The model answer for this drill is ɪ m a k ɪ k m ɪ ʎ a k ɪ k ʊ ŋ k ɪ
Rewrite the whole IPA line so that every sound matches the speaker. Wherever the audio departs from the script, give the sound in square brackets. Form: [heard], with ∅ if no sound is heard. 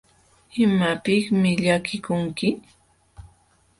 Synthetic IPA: ɪ m a [p] ɪ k m ɪ ʎ a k ɪ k ʊ ŋ k ɪ